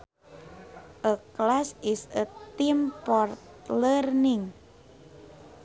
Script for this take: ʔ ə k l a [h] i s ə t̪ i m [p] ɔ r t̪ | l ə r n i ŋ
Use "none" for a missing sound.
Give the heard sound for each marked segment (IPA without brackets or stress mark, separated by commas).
s, p